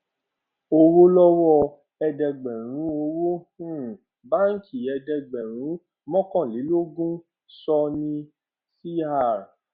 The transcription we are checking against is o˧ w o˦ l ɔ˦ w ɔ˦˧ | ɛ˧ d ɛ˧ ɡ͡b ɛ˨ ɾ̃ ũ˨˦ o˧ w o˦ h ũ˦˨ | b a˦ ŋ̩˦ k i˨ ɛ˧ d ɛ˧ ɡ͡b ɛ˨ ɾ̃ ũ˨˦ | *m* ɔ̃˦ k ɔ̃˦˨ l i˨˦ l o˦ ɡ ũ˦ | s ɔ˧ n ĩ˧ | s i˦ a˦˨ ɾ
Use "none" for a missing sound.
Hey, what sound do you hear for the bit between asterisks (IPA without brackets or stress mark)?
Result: m